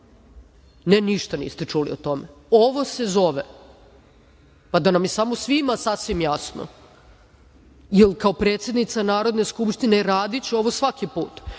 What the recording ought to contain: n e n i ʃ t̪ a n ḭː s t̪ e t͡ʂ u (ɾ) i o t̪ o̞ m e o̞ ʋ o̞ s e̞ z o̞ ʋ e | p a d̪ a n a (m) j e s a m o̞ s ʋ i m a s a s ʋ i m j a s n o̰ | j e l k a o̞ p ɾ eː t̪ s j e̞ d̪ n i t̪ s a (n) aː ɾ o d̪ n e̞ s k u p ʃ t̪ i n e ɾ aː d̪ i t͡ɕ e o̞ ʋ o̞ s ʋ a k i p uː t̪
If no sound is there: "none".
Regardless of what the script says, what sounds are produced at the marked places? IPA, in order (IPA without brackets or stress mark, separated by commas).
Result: l, m, n